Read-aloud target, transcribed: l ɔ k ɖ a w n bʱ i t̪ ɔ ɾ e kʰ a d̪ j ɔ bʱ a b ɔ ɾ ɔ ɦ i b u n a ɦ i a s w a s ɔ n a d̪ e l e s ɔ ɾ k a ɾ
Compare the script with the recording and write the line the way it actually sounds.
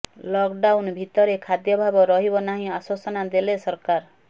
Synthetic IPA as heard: l ɔ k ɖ a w n bʱ i t̪ ɔ ɾ e kʰ a d̪ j ɔ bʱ a b ɔ ɾ ɔ ɦ i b ɔ n a ɦ ĩ a s w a s ɔ n a d̪ e l e s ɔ ɾ k a ɾ